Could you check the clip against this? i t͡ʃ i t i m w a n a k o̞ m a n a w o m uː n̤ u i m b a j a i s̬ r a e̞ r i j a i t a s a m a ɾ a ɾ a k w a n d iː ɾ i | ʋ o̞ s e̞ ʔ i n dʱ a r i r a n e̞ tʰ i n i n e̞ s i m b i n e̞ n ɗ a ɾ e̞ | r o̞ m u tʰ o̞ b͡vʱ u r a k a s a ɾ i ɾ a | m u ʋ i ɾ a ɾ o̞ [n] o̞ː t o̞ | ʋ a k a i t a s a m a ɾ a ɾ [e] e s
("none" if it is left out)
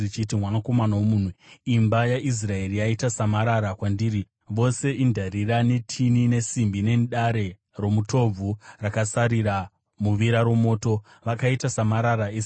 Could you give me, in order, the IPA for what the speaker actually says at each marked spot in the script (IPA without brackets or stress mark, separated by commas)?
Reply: m, a